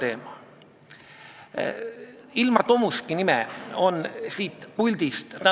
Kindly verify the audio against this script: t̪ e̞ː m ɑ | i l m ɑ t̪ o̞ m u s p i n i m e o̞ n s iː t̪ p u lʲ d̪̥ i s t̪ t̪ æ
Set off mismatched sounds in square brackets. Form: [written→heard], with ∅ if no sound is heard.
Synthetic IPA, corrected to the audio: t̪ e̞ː m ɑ | i l m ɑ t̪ o̞ m u s [p→k] i n i m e o̞ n s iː t̪ p u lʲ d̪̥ i s t̪ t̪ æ